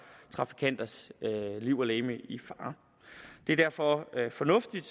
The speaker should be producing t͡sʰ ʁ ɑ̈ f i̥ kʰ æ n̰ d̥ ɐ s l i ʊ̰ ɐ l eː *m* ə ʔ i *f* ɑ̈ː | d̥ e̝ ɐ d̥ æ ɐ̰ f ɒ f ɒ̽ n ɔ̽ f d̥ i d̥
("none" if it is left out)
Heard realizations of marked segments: m, f

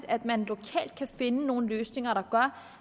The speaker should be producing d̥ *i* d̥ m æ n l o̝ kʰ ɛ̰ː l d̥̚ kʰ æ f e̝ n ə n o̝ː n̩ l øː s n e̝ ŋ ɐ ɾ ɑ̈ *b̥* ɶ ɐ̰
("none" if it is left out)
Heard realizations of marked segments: æ, ɡ̥

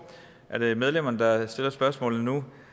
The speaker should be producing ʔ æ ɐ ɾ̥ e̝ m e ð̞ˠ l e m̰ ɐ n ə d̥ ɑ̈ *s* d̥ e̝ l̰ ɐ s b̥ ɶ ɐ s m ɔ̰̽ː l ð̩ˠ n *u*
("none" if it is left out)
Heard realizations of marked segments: s, u

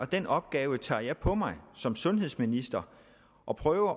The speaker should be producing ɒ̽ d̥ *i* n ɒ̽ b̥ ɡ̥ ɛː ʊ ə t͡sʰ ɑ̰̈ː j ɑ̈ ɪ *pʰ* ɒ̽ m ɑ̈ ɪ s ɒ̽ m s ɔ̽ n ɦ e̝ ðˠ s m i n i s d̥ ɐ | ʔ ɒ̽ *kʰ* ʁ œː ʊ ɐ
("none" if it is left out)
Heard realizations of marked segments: e, pʰ, pʰ

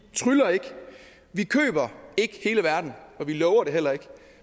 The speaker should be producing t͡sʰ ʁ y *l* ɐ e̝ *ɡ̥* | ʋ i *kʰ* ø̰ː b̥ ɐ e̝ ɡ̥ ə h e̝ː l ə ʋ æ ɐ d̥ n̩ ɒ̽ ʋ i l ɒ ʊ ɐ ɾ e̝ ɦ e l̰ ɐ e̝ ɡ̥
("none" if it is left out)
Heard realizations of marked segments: l, ɡ̥, kʰ

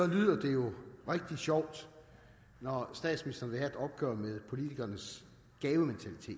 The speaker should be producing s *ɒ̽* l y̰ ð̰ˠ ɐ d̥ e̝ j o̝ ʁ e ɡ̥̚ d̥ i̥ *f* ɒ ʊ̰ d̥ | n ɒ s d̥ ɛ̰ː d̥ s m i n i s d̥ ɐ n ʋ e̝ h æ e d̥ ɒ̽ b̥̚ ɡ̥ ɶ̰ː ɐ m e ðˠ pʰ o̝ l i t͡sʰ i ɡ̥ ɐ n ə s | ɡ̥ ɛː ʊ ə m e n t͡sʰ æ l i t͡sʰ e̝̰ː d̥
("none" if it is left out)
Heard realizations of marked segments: ɒ̽, ɕ

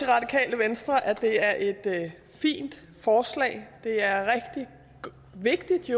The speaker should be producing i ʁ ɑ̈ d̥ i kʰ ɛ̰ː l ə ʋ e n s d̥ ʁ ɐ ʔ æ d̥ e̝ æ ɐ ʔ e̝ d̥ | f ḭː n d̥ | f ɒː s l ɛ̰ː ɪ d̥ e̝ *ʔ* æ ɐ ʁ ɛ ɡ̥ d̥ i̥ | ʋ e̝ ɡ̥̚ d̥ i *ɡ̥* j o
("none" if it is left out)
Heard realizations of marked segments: none, d̥

